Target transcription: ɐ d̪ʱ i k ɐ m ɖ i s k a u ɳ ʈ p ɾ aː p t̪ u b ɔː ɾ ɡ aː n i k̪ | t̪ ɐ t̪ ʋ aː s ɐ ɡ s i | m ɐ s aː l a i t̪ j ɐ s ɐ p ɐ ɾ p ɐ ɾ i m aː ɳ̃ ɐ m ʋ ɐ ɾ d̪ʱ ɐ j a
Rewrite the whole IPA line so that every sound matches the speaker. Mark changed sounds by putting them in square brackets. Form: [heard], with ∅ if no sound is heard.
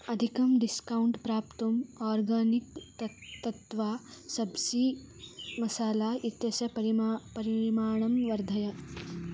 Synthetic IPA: ɐ d̪ʱ i k ɐ m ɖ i s k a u ɳ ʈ p ɾ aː p t̪ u [m] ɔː ɾ ɡ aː n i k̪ | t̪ ɐ t̪ ʋ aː s ɐ [b] s i | m ɐ s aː l a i t̪ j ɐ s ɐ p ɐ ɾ p ɐ ɾ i m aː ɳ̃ ɐ m ʋ ɐ ɾ d̪ʱ ɐ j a